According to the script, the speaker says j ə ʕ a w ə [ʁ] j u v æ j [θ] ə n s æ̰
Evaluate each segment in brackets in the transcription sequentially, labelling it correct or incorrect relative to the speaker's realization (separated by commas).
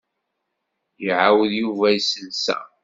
incorrect, incorrect